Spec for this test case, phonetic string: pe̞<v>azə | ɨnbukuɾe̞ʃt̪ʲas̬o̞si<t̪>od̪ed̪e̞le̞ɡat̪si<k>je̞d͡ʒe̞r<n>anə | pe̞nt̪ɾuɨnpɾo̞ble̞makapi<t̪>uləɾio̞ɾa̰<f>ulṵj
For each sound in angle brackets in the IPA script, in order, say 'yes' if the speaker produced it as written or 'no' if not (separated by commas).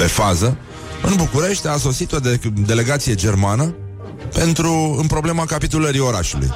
no, yes, no, no, yes, no